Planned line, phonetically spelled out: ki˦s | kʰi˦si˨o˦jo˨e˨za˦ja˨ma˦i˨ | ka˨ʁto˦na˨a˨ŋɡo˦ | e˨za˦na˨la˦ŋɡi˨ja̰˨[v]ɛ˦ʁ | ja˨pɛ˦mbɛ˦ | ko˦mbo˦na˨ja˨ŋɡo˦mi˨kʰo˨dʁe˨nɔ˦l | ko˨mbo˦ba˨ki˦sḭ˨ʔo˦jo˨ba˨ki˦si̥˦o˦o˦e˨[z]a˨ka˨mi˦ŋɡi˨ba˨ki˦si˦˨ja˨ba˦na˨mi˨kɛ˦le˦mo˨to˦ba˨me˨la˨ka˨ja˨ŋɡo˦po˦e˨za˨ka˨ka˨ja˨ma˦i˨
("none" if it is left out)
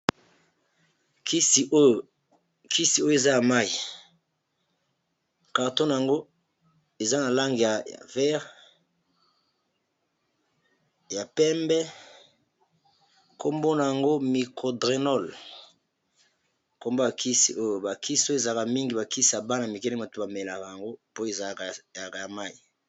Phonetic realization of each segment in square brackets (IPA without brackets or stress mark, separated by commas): v, z